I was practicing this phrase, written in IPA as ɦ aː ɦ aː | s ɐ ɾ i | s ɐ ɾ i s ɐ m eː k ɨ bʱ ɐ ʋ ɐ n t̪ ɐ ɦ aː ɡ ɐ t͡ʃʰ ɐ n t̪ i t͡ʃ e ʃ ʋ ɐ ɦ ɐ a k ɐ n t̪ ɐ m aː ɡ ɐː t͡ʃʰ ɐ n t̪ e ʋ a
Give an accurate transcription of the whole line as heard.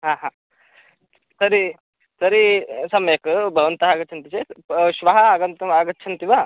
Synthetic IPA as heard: ɦ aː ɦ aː | s ɐ ɾ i | s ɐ ɾ i s ɐ m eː k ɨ bʱ ɐ ʋ ɐ n t̪ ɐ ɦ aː ɡ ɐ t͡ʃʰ ɐ n t̪ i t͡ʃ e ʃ ʋ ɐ ɦ ɐ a ɡ ɐ n t̪ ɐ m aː ɡ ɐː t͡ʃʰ ɐ n t̪ i ʋ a